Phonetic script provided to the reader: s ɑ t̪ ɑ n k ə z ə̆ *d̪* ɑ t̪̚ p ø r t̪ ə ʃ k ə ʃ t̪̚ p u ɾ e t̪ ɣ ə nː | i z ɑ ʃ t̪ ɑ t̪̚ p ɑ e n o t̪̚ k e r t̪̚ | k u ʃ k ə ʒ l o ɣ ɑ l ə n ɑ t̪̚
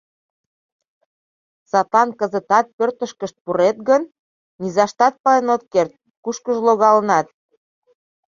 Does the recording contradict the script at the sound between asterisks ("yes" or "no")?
yes